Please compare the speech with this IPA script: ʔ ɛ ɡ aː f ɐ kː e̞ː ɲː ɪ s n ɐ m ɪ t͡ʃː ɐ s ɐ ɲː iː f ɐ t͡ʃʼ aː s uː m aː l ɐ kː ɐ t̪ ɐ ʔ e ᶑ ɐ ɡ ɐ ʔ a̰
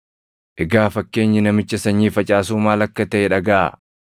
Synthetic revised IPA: ʔ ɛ ɡ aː f ɐ kː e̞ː ɲː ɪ n ɐ m ɪ t͡ʃː ɐ s ɐ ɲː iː f ɐ t͡ʃʼ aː s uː m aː l ɐ kː ɐ t̪ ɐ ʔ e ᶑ ɐ ɡ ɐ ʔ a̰